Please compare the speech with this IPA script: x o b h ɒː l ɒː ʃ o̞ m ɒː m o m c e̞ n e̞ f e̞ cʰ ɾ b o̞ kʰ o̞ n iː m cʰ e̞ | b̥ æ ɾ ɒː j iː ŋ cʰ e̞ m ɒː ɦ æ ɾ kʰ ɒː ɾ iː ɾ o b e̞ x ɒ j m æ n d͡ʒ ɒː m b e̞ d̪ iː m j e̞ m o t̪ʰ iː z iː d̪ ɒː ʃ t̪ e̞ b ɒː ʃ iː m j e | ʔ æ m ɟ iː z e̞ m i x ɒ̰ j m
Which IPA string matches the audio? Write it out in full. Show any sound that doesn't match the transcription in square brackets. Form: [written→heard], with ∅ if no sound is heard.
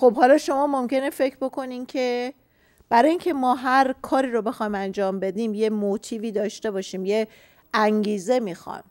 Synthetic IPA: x o b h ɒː l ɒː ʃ o̞ m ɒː m o m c e̞ n e̞ f e̞ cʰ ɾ b o̞ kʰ o̞ n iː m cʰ e̞ | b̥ æ ɾ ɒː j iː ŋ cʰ e̞ m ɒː ɦ æ ɾ kʰ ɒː ɾ iː ɾ o b e̞ x ɒ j m æ n d͡ʒ ɒː m b e̞ d̪ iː m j e̞ m o t̪ʰ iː [z→v] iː d̪ ɒː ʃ t̪ e̞ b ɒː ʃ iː m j e | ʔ æ [m→ŋ] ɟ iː z e̞ m i x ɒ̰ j m